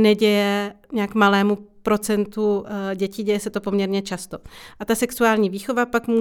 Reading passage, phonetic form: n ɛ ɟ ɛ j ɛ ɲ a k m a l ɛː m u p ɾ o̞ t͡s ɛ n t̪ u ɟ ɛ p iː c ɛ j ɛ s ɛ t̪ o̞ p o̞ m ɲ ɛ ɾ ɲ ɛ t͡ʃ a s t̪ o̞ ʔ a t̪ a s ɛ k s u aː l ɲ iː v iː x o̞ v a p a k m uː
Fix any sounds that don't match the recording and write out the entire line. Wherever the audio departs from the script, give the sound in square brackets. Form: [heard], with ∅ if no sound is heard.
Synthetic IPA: n ɛ ɟ ɛ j ɛ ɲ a k m a l ɛː m u p ɾ o̞ t͡s ɛ n t̪ u ɟ ɛ [c] iː [ɟ] ɛ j ɛ s ɛ t̪ o̞ p o̞ m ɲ ɛ ɾ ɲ ɛ t͡ʃ a s t̪ o̞ ʔ a t̪ a s ɛ k s u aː l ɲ iː v iː x o̞ v a p a k m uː